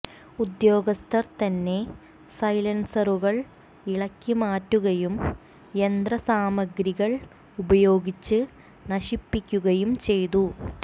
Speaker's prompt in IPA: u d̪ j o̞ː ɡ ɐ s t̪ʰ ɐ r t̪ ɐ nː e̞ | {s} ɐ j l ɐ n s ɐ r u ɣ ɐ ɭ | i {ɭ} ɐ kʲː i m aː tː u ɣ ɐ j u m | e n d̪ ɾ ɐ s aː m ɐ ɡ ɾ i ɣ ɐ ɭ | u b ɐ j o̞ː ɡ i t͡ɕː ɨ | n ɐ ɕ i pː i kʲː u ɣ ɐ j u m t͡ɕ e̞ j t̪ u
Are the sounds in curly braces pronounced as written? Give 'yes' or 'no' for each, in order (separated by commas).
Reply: yes, yes